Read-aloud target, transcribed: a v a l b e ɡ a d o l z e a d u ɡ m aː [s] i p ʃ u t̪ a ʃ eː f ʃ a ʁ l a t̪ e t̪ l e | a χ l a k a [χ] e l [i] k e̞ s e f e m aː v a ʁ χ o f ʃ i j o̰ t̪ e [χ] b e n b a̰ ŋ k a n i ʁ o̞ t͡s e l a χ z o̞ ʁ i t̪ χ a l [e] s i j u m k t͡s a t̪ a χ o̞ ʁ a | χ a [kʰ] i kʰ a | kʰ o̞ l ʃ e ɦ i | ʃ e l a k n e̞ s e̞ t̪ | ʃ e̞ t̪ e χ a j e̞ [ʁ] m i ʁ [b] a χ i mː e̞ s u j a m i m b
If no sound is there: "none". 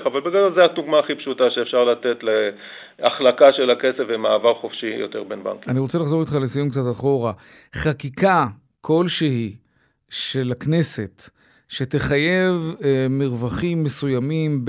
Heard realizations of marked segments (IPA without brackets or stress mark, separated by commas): χ, ʃ, a, ʁ, e, k, v, v